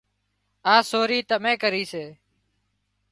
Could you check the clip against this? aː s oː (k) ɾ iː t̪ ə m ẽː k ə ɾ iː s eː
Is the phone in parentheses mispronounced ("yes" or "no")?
yes